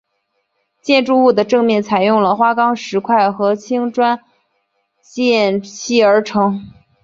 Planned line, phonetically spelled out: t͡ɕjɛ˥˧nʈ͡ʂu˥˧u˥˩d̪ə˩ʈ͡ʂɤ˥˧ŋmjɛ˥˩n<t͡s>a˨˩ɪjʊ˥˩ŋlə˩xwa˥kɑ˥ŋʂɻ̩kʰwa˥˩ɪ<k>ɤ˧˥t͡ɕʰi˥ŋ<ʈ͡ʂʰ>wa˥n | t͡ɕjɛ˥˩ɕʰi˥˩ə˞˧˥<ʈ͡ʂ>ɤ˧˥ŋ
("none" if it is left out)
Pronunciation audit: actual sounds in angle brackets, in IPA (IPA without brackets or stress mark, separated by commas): t͡sʰ, x, ʈ͡ʂ, ʈ͡ʂʰ